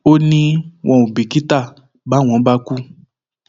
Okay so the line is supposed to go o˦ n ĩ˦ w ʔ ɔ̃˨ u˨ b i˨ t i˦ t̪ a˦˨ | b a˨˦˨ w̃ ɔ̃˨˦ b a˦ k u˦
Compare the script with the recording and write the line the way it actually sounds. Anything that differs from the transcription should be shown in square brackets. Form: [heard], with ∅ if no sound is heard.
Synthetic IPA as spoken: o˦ n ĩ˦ w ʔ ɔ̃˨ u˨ b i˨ [k] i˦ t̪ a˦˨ | b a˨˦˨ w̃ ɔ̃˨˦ b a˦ k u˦